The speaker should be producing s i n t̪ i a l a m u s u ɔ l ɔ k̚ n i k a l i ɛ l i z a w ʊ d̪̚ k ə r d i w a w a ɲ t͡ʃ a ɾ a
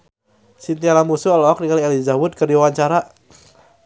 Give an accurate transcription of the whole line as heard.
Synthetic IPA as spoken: s i n t̪ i a l a m u s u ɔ l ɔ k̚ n i k a l i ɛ l i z a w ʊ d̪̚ k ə r d i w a w a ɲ t͡ʃ a ɾ a